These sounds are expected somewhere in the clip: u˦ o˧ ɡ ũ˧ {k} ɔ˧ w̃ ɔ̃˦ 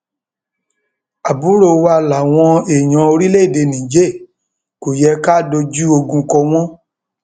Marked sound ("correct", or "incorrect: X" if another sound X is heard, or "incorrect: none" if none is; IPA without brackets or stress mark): correct